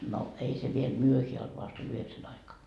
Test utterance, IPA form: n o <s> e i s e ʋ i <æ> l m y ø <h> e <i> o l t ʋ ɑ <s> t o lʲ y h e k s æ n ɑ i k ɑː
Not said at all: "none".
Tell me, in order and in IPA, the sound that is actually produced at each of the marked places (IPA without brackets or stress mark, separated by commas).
none, e, h, æ, s